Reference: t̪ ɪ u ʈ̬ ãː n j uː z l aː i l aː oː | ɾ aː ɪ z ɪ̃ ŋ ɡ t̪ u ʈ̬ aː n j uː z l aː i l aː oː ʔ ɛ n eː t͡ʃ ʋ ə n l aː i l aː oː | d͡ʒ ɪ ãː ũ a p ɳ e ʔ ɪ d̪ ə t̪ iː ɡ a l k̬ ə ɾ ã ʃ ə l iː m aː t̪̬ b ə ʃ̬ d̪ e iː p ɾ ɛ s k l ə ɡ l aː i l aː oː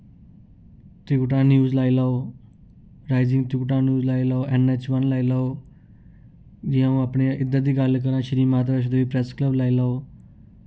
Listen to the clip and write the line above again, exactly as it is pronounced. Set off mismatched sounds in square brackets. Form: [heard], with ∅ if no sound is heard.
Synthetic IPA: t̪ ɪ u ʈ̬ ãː n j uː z l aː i l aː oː | ɾ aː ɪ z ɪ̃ ŋ ɡ t̪ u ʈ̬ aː n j uː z l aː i l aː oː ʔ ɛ n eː t͡ʃ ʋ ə n l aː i l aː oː | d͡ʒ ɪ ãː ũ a p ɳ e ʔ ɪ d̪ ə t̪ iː ɡ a l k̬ ə ɾ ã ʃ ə [ɾ] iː m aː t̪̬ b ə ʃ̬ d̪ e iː p ɾ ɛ s k l ə [b] l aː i l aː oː